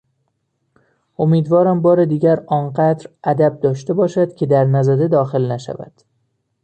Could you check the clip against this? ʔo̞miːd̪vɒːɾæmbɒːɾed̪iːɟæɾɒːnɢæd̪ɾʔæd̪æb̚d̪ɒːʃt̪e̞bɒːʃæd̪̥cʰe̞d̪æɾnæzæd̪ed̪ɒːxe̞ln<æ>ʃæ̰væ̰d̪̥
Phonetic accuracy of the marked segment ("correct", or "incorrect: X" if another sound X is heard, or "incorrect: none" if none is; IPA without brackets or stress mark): correct